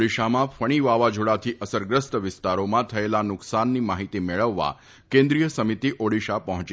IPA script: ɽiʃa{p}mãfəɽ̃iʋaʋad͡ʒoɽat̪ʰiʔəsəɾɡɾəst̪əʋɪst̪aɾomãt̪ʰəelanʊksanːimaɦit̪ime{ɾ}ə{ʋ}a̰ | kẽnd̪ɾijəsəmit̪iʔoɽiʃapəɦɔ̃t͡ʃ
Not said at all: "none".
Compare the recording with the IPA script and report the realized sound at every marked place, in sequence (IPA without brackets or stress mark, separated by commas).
none, ɭ, ʋː